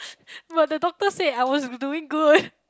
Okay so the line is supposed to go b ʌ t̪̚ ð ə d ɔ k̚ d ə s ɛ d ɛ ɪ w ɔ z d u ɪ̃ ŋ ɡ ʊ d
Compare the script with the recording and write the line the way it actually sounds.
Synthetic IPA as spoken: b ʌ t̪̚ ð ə d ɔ k̚ t ə s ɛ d a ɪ w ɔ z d u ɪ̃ ŋ ɡ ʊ d